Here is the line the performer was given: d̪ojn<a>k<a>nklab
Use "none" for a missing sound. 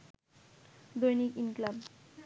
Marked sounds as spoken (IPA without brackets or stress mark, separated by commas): i, i